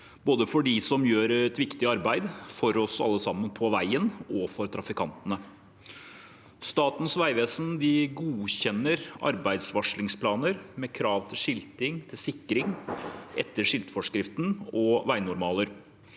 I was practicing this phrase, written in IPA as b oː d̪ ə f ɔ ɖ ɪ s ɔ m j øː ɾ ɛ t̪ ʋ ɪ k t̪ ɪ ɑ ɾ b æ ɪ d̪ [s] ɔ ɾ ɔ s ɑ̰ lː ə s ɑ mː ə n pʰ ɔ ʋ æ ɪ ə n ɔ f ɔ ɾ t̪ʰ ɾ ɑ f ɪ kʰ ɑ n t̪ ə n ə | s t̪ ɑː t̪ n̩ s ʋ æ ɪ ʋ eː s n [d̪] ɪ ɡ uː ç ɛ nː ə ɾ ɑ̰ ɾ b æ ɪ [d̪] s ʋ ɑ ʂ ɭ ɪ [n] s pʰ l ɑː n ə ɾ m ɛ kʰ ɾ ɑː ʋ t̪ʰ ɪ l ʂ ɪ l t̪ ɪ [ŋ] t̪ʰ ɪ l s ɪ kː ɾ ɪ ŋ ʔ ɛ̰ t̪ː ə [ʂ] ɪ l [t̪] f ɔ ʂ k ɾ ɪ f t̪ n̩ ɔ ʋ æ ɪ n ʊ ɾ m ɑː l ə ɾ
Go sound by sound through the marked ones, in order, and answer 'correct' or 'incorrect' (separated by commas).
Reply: incorrect, correct, correct, incorrect, correct, correct, correct